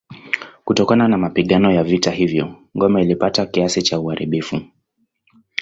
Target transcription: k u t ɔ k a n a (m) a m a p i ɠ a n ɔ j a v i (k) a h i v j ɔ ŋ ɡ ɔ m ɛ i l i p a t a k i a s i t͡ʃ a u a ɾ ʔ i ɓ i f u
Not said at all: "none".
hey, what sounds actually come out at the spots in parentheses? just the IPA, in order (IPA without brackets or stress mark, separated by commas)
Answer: n, t